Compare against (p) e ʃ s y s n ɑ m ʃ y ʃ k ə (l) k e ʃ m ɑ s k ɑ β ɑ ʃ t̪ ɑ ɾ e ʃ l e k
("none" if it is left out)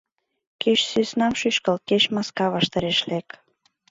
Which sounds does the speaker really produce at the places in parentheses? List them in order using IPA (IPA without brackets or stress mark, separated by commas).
k, l